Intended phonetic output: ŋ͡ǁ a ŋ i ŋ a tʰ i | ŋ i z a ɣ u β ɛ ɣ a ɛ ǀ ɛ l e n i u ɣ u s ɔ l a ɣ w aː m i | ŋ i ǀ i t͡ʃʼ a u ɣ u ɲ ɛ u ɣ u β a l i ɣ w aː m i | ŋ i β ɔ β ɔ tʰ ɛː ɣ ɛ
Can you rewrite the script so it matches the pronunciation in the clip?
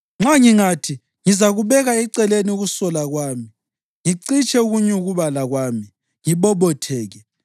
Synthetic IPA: ŋ͡ǁ a ŋ i ŋ a tʰ i | ŋ i z a ɣ u β ɛ ɣ a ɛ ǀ ɛ l e n i u ɣ u s ɔ l a ɣ w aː m i | ŋ i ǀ i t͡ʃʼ ɛ u ɣ u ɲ ɛ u ɣ u β a l a ɣ w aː m i | ŋ i β ɔ β ɔ tʰ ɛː ɣ ɛ